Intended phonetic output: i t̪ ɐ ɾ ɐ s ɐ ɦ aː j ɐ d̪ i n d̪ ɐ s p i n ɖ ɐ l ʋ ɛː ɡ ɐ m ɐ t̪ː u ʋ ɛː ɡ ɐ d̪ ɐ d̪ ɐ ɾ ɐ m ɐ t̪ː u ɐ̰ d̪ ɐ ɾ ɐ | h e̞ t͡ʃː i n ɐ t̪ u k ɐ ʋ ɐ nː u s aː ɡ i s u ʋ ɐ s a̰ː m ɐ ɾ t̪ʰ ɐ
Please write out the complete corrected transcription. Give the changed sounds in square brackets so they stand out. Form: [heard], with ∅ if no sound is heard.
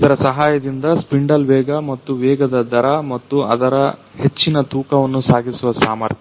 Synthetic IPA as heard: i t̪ ɐ ɾ ɐ s ɐ ɦ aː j ɐ d̪ i n d̪ ɐ s p i [ɳ] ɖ ɐ l ʋ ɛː ɡ ɐ m ɐ t̪ː u ʋ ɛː ɡ ɐ d̪ ɐ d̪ ɐ ɾ ɐ m ɐ t̪ː u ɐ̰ d̪ ɐ ɾ ɐ | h e̞ t͡ʃː i n ɐ t̪ [uː] k ɐ ʋ ɐ nː u s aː ɡ i s u ʋ ɐ s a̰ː m ɐ ɾ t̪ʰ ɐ